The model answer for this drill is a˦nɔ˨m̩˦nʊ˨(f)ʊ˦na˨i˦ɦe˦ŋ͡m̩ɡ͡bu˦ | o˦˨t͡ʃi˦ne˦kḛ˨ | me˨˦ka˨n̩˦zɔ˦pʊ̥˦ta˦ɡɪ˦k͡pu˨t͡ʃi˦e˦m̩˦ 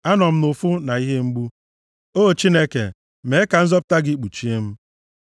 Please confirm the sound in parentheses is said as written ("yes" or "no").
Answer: yes